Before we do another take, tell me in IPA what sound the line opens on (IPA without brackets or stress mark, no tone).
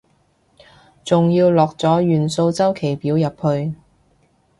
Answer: t͡s